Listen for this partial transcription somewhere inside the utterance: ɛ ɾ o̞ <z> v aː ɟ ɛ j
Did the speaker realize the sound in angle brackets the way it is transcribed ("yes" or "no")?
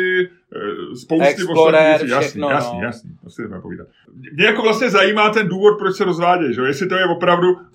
yes